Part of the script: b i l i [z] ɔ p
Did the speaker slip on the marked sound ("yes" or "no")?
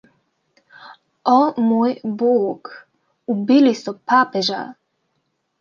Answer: yes